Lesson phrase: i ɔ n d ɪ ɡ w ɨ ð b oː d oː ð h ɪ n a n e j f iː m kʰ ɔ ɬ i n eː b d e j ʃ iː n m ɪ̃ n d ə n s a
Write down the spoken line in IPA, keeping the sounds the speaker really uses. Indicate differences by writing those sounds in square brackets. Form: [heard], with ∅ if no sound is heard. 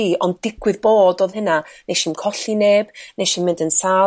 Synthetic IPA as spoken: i ɔ n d ɪ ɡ w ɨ ð b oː d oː ð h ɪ n a n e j [ʃ] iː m kʰ ɔ ɬ i n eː b [n] e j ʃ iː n m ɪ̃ n d ə n s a